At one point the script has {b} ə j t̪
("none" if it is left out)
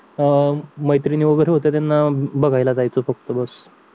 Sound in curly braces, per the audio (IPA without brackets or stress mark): m